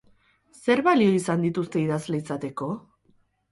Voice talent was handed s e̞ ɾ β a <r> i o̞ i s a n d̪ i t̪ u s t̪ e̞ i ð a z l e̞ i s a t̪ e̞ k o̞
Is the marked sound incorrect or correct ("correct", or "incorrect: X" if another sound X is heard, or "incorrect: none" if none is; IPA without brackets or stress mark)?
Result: incorrect: l